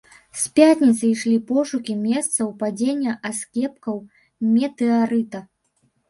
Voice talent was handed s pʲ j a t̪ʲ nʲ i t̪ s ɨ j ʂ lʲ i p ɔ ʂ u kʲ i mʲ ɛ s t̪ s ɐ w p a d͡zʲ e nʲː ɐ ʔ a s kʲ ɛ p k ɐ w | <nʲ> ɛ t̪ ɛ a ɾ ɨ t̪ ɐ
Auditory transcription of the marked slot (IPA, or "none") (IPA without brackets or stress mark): mʲ